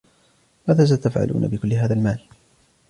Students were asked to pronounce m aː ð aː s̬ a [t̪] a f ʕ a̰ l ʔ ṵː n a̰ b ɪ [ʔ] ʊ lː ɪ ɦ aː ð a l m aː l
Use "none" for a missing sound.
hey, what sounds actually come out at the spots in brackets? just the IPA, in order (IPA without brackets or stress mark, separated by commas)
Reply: t̪, k